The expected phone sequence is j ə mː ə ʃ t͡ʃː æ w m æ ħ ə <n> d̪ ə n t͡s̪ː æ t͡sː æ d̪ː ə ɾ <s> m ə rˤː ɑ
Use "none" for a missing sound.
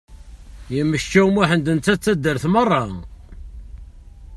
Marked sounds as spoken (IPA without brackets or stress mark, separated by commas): n, θ